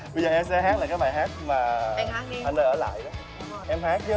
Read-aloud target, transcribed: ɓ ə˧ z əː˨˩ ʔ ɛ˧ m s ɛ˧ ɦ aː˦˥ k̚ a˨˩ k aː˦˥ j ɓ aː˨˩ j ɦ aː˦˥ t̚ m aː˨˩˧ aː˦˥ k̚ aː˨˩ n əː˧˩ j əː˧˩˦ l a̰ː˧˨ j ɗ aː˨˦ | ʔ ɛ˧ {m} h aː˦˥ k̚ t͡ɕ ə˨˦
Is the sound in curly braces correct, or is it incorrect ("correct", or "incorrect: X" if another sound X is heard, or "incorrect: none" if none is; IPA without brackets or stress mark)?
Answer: correct